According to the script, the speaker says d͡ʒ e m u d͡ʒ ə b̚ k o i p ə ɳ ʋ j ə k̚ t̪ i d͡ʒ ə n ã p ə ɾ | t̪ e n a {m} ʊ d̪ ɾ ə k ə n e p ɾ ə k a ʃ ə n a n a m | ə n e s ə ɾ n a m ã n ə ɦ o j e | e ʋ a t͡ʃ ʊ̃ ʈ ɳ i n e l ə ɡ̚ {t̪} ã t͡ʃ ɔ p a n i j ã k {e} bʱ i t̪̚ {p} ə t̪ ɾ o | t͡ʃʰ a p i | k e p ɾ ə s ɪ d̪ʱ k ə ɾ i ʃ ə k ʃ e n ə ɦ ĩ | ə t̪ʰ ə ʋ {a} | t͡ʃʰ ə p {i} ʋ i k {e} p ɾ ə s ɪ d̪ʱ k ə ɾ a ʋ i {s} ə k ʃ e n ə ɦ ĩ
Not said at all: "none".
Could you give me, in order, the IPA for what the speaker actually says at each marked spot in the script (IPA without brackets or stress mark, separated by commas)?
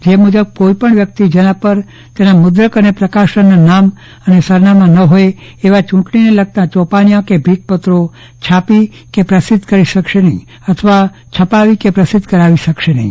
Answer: m, t̪, e, p, a, a, e, ʃ